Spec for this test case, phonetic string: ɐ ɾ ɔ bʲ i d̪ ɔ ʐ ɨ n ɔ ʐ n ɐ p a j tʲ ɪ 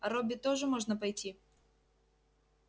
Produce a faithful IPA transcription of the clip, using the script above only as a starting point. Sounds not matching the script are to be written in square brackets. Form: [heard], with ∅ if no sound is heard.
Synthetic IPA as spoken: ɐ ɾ ɔ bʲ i [t̪] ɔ ʐ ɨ [m] ɔ ʐ n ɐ p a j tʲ [i]